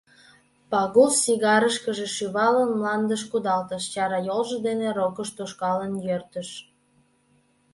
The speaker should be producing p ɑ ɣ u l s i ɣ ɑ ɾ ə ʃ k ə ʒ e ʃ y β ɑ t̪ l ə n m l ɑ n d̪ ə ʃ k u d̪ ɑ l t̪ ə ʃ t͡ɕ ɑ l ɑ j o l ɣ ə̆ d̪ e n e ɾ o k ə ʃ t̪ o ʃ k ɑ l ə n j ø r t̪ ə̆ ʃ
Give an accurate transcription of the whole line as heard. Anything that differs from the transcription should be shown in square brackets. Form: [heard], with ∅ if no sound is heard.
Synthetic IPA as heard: p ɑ ɣ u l s i ɣ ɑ ɾ ə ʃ k ə ʒ e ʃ y β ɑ [∅] l ə n m l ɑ n d̪ ə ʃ k u d̪ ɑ l t̪ ə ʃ t͡ɕ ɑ [ɾ] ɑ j o l [ʒ] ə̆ d̪ e n e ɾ o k ə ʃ t̪ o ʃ k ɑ l ə n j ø r t̪ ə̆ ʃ